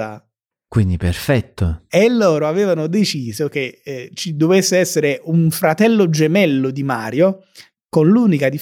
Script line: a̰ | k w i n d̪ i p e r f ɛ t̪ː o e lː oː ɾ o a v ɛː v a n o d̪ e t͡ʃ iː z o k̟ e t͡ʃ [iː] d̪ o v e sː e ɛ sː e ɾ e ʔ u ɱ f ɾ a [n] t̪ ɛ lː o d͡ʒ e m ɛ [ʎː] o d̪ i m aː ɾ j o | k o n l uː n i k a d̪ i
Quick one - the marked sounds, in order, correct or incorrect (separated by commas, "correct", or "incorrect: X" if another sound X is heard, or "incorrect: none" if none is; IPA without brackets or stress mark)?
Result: incorrect: i, incorrect: none, incorrect: lː